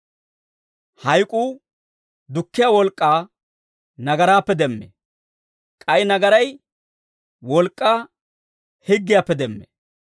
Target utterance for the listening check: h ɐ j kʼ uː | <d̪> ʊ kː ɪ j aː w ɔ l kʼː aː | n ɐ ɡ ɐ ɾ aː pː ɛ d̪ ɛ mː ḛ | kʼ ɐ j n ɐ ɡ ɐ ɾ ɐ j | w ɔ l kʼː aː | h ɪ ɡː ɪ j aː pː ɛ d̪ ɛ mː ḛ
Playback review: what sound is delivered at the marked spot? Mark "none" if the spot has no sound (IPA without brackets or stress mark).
d̪